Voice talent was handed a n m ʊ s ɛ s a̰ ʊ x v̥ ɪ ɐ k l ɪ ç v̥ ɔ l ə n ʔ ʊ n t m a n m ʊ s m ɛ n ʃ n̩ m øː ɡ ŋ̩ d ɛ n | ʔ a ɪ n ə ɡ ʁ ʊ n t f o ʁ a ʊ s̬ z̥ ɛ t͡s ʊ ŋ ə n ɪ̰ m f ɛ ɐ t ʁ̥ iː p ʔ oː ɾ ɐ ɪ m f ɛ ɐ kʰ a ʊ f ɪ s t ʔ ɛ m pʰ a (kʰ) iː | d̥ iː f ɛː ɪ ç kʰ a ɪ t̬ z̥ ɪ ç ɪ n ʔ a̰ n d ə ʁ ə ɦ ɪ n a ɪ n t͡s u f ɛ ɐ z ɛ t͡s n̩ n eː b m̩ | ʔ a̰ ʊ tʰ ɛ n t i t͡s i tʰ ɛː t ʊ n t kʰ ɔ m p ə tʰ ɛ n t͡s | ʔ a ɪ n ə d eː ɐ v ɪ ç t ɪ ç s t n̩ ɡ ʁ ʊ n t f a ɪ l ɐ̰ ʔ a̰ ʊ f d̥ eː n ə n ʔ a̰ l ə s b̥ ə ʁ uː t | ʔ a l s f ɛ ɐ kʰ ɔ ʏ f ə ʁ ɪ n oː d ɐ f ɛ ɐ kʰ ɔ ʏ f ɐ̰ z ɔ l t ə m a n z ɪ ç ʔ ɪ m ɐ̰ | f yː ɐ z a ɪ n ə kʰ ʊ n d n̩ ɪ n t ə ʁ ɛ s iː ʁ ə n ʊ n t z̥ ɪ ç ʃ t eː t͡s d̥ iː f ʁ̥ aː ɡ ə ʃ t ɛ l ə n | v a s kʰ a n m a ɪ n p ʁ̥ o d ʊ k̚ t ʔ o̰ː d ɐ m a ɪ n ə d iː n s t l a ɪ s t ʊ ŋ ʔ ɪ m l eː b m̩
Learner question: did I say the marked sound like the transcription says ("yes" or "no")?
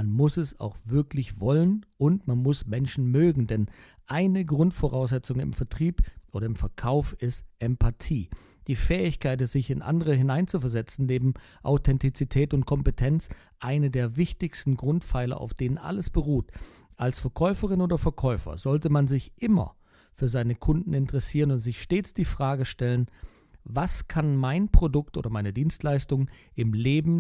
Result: no